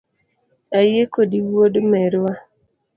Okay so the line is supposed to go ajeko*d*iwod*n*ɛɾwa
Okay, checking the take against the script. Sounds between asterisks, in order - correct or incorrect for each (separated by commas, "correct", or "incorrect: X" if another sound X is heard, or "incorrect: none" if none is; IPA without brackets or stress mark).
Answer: correct, incorrect: m